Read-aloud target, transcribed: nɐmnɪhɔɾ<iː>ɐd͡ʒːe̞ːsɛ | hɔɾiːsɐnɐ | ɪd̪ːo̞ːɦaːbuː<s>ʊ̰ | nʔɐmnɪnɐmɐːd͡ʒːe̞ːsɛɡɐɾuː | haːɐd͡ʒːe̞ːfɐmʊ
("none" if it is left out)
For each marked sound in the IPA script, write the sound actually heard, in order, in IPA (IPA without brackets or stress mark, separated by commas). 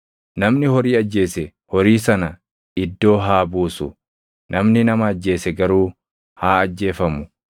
iː, s